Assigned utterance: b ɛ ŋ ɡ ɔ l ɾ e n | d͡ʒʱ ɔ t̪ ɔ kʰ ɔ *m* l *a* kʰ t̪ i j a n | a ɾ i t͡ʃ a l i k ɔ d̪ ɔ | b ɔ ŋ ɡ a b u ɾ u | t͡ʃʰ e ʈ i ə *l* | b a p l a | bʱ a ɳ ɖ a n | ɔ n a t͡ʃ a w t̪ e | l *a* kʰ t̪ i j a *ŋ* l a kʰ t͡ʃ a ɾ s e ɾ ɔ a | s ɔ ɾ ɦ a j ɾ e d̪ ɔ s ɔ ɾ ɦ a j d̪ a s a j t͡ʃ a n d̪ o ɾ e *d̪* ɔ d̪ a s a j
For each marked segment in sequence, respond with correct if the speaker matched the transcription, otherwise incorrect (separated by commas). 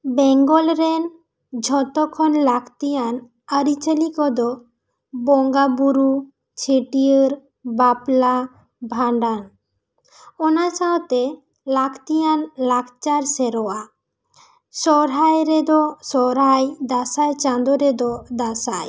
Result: incorrect, correct, incorrect, correct, incorrect, correct